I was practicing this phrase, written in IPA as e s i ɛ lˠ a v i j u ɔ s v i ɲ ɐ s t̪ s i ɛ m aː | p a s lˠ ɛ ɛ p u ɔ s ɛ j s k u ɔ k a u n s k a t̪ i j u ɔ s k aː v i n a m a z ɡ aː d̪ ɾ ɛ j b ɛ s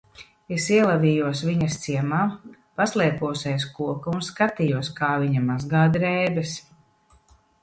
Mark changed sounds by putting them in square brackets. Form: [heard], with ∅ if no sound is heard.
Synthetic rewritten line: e s i ɛ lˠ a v i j u ɔ s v i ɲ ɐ s t̪ s i ɛ m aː | p a s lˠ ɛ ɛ p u ɔ s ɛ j s k u ɔ k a u n s k a t̪ i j u ɔ s k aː v i [ɲ] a m a z ɡ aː d̪ ɾ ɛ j b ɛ s